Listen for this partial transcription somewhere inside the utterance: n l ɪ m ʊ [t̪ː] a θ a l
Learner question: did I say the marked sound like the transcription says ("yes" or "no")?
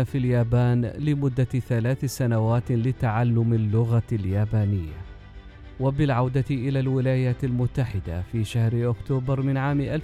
no